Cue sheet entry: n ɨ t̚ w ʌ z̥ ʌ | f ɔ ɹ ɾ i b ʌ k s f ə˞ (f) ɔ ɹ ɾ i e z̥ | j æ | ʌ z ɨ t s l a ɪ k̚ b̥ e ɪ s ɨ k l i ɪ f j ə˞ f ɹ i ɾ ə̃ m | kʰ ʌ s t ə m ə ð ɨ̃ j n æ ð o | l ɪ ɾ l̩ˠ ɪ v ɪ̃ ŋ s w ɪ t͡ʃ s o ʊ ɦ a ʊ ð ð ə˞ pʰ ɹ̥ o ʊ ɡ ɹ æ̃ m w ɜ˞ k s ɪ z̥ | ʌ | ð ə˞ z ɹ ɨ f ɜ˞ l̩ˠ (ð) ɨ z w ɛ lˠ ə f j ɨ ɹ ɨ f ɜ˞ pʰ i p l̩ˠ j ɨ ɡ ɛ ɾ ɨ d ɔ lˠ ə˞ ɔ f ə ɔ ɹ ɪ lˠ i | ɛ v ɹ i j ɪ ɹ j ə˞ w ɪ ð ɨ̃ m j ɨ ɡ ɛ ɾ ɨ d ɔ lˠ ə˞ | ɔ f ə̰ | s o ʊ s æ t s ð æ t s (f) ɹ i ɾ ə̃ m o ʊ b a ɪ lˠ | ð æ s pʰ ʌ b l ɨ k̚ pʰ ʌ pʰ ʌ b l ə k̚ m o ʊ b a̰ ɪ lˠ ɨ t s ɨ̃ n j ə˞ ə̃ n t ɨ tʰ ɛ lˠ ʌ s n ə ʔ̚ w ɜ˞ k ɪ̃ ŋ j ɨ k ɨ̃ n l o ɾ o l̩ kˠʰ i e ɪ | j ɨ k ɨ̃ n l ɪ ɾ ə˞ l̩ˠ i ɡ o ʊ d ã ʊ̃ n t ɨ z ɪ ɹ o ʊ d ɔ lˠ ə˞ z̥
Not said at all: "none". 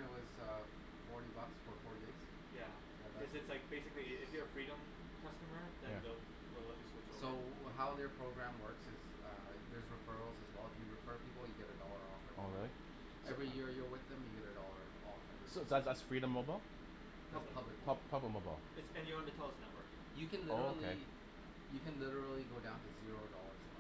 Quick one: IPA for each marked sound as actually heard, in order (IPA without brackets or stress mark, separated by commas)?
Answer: f, z, f